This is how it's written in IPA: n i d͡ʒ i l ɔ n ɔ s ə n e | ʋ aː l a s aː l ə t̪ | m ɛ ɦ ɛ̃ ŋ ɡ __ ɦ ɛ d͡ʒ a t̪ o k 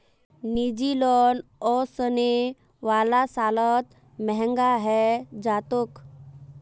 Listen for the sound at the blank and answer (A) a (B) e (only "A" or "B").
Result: A